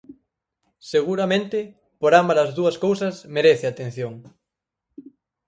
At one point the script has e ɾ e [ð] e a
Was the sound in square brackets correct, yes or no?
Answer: no